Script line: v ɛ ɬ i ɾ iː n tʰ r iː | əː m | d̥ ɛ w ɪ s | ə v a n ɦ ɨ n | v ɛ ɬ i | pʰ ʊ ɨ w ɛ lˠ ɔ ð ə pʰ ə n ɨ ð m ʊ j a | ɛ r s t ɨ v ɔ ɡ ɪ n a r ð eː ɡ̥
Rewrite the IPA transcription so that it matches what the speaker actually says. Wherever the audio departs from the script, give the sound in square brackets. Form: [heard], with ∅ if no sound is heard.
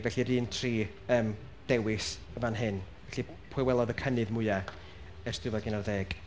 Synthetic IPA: v ɛ ɬ i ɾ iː n tʰ r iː | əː m | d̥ ɛ w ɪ s | ə v a n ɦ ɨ n | v ɛ ɬ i | pʰ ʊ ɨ w ɛ lˠ ɔ ð ə [kʰ] ə n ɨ ð m ʊ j a | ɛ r s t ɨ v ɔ ɡ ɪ n a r ð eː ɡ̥